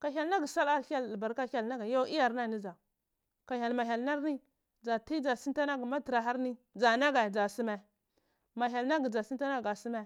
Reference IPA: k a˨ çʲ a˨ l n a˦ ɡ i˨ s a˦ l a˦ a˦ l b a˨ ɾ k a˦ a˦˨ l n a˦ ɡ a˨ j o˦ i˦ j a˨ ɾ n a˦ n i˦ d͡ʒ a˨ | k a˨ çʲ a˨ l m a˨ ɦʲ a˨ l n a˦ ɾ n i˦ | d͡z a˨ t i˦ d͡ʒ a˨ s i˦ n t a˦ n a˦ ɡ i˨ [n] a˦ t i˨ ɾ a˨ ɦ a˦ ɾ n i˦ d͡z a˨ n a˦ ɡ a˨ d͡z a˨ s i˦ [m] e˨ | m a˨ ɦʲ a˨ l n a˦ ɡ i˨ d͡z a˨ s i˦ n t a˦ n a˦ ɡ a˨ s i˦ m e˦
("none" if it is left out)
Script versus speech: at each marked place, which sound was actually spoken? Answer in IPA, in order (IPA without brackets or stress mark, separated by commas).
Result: m, m